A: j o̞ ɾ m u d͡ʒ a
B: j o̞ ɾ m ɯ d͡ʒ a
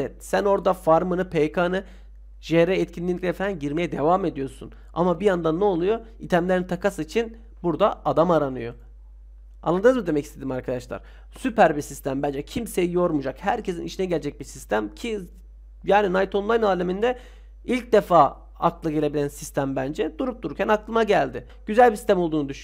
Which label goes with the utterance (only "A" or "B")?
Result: A